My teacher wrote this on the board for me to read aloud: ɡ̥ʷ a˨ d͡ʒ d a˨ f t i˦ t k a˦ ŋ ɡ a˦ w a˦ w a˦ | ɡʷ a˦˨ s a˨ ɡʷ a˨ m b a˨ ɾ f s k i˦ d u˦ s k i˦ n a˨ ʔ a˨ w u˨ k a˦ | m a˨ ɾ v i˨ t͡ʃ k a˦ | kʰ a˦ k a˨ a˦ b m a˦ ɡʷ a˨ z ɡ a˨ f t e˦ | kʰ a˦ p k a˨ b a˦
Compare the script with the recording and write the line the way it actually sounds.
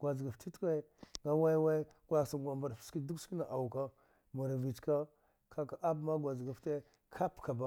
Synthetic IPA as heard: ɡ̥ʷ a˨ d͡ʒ ɡ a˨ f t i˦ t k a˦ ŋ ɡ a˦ w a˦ w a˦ | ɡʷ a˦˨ s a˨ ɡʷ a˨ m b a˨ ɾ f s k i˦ d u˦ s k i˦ n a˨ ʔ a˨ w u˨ k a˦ | m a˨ ɾ v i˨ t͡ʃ k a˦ | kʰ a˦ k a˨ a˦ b m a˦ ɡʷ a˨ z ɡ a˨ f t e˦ | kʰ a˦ p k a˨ b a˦

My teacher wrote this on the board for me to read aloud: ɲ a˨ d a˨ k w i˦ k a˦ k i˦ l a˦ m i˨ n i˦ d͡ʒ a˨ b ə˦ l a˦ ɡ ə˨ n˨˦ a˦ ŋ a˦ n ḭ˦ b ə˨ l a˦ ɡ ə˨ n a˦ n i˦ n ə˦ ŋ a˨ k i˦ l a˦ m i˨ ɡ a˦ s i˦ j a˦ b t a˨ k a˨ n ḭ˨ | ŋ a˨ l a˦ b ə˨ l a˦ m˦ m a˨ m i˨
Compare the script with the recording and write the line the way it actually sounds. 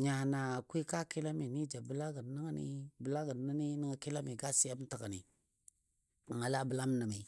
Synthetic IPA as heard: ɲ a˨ n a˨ k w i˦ k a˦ k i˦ l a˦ m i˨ n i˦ d͡ʒ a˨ b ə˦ l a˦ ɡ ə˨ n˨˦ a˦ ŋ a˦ n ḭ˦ b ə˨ l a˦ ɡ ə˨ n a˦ n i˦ n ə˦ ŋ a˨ k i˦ l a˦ m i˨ ɡ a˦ s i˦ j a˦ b t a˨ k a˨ n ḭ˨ | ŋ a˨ l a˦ b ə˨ l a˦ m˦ n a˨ m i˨

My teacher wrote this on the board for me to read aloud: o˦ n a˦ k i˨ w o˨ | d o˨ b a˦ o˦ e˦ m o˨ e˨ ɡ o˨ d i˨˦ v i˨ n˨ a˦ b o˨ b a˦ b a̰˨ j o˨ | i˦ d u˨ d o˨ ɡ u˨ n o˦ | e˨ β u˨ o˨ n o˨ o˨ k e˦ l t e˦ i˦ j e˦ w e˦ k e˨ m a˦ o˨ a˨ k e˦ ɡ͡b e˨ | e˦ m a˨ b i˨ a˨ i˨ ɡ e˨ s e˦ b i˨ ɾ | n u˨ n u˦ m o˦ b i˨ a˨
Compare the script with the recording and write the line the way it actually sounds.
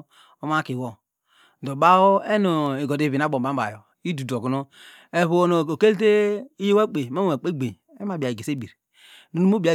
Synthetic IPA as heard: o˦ m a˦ k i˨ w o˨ | d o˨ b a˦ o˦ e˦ n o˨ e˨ ɡ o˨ d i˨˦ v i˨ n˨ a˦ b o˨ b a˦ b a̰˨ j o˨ | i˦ d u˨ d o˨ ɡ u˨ n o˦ | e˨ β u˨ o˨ n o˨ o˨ k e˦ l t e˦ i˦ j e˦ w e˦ k͡p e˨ m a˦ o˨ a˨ k͡p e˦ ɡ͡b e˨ | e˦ m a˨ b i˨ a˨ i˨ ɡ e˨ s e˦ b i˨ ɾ | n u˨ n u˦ m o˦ b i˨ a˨

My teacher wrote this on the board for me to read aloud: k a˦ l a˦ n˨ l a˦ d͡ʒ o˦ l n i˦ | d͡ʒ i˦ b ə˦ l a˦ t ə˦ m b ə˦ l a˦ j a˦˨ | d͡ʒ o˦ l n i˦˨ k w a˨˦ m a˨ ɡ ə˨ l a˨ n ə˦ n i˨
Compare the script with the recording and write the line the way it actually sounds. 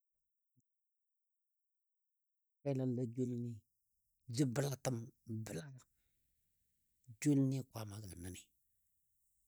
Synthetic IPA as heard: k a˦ l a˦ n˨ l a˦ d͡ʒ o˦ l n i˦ | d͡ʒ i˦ b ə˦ l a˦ t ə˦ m b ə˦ l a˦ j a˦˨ | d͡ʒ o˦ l n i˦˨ k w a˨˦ m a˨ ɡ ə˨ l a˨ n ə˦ n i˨

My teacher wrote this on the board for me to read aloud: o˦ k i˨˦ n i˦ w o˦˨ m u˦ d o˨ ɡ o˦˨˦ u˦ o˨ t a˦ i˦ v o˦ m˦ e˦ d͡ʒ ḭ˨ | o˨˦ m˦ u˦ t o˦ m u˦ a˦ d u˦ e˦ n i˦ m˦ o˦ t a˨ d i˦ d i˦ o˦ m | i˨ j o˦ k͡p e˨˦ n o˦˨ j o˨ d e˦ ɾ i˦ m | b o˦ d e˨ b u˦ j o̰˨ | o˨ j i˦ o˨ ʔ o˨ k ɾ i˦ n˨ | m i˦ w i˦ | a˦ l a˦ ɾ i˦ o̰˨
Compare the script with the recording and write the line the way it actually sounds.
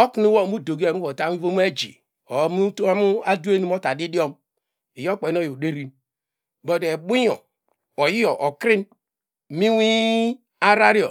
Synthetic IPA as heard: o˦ k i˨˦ n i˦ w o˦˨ m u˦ d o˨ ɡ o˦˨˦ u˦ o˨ t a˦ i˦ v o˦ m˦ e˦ d͡ʒ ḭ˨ | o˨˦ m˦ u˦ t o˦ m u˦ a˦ d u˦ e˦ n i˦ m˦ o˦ t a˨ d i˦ d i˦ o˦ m | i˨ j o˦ k͡p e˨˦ n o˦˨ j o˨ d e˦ ɾ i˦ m | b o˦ d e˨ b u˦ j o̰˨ | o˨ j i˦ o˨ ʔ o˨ k ɾ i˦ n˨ | m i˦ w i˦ | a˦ ɾ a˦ ɾ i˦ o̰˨

